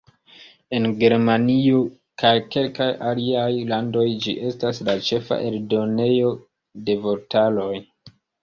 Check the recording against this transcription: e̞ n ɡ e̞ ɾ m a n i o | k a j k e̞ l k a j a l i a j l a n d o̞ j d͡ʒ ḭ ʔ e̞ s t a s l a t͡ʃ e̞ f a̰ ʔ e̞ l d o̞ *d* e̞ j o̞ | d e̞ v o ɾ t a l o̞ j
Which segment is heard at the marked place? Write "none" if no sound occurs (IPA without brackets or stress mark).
n